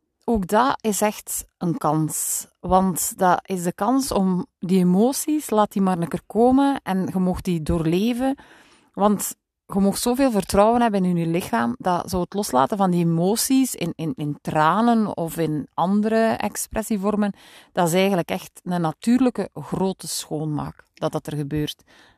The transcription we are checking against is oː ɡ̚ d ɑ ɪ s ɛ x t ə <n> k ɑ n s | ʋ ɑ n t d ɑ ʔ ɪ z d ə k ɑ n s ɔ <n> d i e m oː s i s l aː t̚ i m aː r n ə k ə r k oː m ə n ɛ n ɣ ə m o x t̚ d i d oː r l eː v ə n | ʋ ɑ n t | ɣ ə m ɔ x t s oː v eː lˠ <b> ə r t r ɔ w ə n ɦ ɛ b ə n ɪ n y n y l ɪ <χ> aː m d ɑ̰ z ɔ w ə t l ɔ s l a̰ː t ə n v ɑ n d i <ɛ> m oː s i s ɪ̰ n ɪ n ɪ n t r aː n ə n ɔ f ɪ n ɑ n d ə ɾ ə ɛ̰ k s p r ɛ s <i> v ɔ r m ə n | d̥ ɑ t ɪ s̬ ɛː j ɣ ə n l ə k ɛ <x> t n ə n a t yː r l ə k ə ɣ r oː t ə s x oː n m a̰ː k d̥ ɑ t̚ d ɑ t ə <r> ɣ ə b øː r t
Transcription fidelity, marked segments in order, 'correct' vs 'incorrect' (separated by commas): correct, incorrect, incorrect, incorrect, incorrect, correct, correct, correct